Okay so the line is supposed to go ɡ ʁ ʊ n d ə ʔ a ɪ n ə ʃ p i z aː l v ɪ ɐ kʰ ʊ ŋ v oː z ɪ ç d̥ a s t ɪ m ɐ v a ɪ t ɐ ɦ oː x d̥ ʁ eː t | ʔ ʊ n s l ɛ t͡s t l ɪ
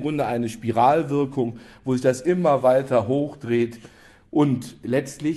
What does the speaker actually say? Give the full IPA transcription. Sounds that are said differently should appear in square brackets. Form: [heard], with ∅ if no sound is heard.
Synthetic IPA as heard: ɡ ʁ ʊ n d ə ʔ a ɪ n ə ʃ p i [ʁ] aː l v ɪ ɐ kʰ ʊ ŋ v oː z ɪ ç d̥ a s [ʔ] ɪ m ɐ v a ɪ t ɐ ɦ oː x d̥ ʁ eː t | ʔ ʊ n [t] l ɛ t͡s t l ɪ